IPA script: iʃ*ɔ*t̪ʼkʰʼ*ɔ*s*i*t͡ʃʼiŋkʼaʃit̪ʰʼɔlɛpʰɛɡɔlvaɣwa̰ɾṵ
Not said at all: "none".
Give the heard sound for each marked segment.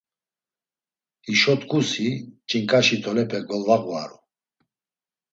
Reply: ɔ, u, i

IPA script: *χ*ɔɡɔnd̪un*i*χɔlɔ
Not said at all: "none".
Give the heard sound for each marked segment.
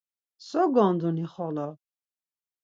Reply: s, i

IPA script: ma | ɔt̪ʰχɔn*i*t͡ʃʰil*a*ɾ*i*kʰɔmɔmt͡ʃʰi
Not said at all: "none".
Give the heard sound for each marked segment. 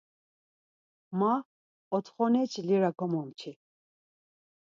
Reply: ɛ, i, a

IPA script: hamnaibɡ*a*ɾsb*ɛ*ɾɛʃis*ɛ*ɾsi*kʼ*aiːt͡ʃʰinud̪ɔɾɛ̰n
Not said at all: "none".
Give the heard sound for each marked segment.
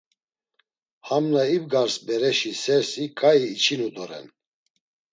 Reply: a, ɛ, ɛ, kʼ

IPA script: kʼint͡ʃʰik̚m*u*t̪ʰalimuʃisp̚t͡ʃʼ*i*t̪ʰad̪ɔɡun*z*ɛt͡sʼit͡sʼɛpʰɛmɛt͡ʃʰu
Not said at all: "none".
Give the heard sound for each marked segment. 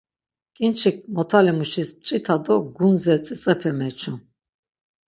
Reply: ɔ, i, z

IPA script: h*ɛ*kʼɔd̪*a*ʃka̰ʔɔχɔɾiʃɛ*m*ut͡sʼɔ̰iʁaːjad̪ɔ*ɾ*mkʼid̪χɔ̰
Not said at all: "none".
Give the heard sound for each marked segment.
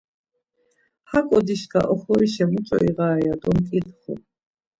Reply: a, i, m, none

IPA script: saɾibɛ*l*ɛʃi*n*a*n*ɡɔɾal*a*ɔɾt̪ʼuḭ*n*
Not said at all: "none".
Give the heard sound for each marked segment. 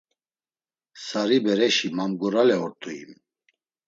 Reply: ɾ, m, m, ɛ, m

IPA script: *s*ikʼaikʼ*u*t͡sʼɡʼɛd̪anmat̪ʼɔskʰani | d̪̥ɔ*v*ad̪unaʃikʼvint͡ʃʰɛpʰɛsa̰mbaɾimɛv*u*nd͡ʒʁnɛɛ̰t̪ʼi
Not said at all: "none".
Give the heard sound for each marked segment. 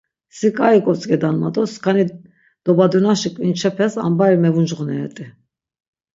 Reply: s, ɔ, b, u

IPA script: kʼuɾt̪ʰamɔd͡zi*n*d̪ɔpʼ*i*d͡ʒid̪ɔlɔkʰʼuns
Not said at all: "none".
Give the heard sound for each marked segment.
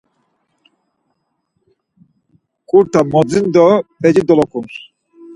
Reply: n, ɛ

